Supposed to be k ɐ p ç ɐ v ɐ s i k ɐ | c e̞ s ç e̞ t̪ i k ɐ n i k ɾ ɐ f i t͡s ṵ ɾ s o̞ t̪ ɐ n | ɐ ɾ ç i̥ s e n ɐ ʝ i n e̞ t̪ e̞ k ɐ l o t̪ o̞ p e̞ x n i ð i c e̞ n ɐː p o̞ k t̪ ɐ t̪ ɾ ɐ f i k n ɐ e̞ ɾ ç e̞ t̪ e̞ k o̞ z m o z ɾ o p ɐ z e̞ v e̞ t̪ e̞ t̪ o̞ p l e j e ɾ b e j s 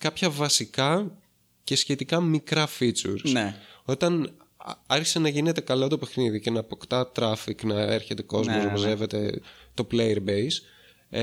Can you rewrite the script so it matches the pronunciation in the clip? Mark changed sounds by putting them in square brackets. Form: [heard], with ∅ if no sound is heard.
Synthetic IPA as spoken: k ɐ p ç ɐ v ɐ s i k ɐ | c e̞ s ç e̞ t̪ i k ɐ [m] i k ɾ ɐ f i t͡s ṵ ɾ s o̞ t̪ ɐ n | ɐ ɾ ç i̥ s e n ɐ ʝ i n e̞ t̪ e̞ k ɐ l o t̪ o̞ p e̞ x n i ð i c e̞ n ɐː p o̞ k t̪ ɐ t̪ ɾ ɐ f i k n ɐ e̞ ɾ ç e̞ t̪ e̞ k o̞ z m o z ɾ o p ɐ z e̞ v e̞ t̪ e̞ t̪ o̞ p l e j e ɾ b e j s